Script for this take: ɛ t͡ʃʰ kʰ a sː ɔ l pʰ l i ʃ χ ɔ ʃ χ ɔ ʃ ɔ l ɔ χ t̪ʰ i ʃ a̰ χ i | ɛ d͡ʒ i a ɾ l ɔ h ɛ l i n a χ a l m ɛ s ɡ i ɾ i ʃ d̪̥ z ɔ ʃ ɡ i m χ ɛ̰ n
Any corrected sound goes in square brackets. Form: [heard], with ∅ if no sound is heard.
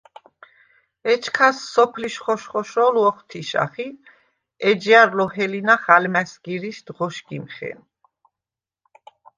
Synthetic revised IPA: ɛ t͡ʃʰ kʰ a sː ɔ [∅] pʰ l i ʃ χ ɔ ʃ χ ɔ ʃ ɔ l ɔ χ t̪ʰ i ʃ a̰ χ i | ɛ d͡ʒ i a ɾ l ɔ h ɛ l i n a χ a l m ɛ s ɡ i ɾ i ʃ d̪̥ [ʁ] ɔ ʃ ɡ i m χ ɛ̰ n